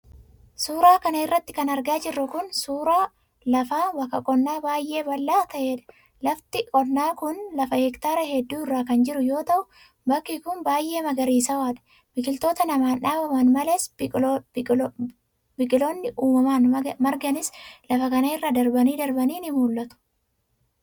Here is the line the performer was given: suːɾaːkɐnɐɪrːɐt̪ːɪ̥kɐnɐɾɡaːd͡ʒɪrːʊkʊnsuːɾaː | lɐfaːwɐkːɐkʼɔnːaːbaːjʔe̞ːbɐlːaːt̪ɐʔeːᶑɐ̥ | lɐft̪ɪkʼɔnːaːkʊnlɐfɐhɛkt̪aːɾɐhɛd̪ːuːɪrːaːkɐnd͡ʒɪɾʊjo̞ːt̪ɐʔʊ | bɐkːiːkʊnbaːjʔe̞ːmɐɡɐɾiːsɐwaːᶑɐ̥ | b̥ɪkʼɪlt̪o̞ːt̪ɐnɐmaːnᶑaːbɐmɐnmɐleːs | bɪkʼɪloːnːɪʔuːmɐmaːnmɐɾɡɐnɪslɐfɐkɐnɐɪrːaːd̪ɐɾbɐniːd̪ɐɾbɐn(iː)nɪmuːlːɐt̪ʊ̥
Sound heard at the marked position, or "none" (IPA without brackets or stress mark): iː